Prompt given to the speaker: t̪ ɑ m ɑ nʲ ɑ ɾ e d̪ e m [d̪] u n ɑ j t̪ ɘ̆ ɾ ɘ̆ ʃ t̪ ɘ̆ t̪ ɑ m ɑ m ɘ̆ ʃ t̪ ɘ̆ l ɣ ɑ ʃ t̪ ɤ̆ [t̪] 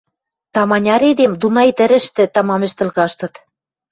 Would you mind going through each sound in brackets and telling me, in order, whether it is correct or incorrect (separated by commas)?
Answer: correct, correct